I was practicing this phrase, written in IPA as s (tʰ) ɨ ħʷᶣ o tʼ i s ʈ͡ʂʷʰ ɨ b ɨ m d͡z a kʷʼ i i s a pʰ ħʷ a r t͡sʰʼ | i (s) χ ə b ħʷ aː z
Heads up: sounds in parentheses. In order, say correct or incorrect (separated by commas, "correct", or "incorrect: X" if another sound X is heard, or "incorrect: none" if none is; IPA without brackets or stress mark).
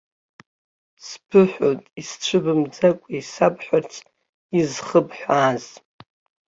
incorrect: pʰ, incorrect: z